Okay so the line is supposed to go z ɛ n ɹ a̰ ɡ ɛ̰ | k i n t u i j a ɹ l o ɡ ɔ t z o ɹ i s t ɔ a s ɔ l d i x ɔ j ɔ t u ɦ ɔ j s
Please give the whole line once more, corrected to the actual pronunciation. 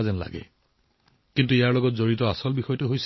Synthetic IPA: z ɛ n l a̰ ɡ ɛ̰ | k i n t u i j a ɹ l ɔ ɡ ɔ t z o ɹ i t ɔ a s ɔ l b i x ɔ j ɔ t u ɦ o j s